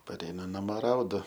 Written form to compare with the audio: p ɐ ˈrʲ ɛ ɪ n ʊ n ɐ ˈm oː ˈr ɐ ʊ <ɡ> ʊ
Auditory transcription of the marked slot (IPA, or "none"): d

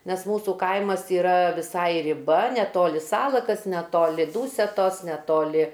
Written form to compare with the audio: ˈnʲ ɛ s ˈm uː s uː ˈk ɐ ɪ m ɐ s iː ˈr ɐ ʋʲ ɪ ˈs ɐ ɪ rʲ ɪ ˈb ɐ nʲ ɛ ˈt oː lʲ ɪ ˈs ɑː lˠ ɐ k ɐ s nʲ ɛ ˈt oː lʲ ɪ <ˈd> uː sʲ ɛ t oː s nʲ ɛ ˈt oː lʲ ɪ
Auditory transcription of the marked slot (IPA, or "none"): d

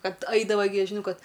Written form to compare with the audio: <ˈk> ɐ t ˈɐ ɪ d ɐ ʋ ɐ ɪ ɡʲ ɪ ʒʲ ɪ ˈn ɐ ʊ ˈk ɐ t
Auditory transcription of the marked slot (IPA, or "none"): k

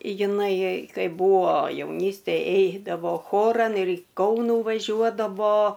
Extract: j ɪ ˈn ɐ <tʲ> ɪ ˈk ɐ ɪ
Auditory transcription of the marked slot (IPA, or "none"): none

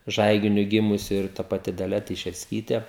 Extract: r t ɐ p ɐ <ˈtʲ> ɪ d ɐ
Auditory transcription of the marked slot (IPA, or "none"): tʲ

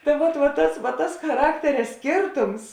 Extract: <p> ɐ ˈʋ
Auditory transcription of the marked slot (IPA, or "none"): t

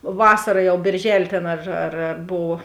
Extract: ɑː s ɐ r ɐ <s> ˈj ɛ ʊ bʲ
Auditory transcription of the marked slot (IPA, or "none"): none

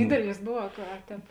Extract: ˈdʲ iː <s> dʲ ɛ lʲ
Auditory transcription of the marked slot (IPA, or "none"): none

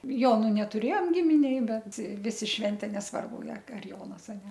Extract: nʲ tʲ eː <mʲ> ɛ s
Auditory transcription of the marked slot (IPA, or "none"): nʲ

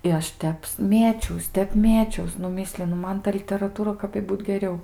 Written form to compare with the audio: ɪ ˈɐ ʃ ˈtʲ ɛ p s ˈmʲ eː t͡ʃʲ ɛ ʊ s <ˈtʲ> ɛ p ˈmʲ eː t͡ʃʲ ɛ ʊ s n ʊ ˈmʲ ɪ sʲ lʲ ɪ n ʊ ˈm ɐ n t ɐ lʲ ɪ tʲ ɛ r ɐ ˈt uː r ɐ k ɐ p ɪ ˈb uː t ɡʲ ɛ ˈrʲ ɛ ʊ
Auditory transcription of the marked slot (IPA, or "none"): tʲ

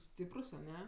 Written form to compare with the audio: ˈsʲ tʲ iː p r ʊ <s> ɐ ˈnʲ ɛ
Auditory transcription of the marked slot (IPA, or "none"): s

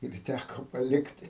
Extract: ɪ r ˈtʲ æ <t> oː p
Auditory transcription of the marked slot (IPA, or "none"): k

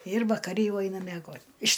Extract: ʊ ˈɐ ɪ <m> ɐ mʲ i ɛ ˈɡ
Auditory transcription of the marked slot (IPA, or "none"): n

